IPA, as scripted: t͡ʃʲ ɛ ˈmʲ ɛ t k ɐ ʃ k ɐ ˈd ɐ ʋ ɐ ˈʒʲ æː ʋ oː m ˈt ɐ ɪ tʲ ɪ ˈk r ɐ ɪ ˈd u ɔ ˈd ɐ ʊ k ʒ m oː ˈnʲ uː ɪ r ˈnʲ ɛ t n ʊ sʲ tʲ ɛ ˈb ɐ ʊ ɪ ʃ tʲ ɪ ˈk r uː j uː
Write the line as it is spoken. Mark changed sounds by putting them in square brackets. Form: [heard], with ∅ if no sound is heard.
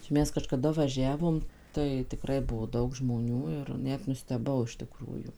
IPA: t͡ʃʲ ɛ ˈmʲ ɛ [s] k ɐ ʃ k ɐ ˈd ɐ ʋ ɐ ˈʒʲ æː ʋ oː m ˈt ɐ ɪ tʲ ɪ ˈk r ɐ ɪ [ˈb] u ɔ ˈd ɐ ʊ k ʒ m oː ˈnʲ uː ɪ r ˈnʲ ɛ t n ʊ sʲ tʲ ɛ ˈb ɐ ʊ ɪ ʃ tʲ ɪ ˈk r uː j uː

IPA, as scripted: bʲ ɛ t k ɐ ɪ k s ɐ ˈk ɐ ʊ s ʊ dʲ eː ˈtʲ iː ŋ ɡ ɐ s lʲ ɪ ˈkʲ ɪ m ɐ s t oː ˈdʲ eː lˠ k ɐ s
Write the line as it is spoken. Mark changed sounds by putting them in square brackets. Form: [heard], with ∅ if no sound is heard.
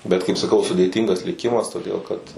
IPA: bʲ ɛ t k ɐ ɪ [p] s ɐ ˈk ɐ ʊ s ʊ dʲ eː ˈtʲ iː ŋ ɡ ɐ s lʲ ɪ ˈkʲ ɪ m ɐ s t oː ˈdʲ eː lˠ k ɐ [t]

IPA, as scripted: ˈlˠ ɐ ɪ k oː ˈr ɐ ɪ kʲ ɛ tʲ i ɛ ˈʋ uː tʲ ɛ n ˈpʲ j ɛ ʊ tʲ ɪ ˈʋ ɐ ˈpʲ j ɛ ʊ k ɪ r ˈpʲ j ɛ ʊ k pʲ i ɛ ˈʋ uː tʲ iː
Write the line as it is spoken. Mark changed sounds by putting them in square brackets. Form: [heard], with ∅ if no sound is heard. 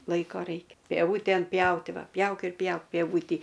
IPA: ˈlˠ ɐ ɪ k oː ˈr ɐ ɪ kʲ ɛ [pʲ] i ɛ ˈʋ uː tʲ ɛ n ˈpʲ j ɛ ʊ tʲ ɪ ˈʋ ɐ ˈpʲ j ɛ ʊ k ɪ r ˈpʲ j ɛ ʊ k pʲ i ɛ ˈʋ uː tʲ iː

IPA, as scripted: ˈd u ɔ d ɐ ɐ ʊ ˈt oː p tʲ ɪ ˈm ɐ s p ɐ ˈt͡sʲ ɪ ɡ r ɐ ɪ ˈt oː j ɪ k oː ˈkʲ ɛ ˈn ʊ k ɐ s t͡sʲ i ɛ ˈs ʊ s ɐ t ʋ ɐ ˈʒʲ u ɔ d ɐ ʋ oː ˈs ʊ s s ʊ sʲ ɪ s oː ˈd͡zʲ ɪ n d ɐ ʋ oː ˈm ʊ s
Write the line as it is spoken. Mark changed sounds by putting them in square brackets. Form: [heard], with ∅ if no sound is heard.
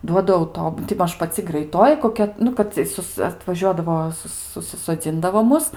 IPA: ˈd u ɔ d ɐ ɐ ʊ ˈt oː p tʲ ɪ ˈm ɐ [ʃ] p ɐ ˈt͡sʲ ɪ ɡ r ɐ ɪ ˈt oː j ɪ k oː ˈkʲ ɛ ˈn ʊ k ɐ [t] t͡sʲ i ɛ ˈs ʊ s ɐ t ʋ ɐ ˈʒʲ u ɔ d ɐ ʋ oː ˈs ʊ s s ʊ sʲ ɪ s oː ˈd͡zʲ ɪ n d ɐ ʋ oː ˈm ʊ s

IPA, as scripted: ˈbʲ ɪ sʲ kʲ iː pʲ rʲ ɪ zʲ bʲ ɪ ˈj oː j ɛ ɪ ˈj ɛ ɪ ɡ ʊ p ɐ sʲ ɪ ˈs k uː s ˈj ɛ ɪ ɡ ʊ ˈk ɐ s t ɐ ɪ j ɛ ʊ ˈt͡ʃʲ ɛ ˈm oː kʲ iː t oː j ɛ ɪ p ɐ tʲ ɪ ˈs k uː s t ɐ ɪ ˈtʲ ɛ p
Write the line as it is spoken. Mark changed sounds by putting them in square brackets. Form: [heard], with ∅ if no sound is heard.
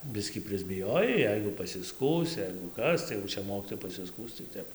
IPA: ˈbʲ ɪ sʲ kʲ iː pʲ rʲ ɪ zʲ bʲ ɪ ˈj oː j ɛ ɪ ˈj ɛ ɪ ɡ ʊ p ɐ sʲ ɪ ˈs k uː s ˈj ɛ ɪ ɡ ʊ ˈk ɐ s t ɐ ɪ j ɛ ʊ ˈt͡ʃʲ ɛ ˈm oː kʲ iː t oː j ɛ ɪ p ɐ [sʲ] ɪ ˈs k uː s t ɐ ɪ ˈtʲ ɛ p

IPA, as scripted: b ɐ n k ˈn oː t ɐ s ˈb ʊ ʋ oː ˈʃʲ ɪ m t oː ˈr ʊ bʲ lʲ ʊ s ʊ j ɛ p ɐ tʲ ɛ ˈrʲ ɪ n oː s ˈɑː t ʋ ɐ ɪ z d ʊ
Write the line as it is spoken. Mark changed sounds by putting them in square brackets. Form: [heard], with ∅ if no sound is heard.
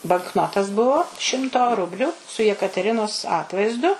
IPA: b ɐ [ŋ] k ˈn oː t ɐ s ˈb ʊ ʋ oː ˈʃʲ ɪ m t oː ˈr ʊ bʲ lʲ ʊ s ʊ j ɛ [k] ɐ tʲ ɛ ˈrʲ ɪ n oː s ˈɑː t ʋ ɐ ɪ z d ʊ

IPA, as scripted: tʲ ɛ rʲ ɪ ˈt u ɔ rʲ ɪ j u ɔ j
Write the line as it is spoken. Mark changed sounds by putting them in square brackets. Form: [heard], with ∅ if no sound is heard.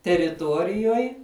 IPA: tʲ ɛ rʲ ɪ ˈt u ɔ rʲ ɪ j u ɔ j

